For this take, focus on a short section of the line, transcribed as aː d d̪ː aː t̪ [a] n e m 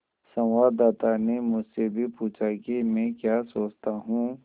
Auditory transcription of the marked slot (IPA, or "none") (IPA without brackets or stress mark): a